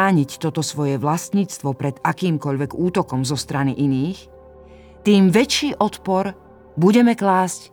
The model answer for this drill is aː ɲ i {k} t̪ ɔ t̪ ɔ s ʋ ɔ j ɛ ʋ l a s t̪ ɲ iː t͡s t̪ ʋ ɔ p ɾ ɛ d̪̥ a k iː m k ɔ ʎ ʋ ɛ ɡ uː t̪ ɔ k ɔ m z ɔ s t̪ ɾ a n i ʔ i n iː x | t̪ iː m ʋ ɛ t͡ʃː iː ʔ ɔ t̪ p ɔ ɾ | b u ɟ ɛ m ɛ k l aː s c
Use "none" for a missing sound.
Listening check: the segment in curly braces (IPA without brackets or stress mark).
c